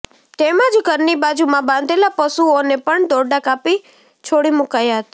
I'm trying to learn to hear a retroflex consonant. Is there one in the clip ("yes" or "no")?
yes